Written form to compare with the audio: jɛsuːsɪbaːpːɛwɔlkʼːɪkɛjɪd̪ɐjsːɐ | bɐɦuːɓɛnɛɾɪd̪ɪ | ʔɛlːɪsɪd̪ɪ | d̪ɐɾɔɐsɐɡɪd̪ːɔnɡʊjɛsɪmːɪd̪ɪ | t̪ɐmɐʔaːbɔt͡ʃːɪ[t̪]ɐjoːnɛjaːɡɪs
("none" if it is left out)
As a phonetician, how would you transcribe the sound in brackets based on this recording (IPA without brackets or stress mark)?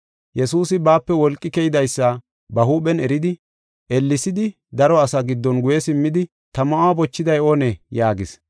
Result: d̪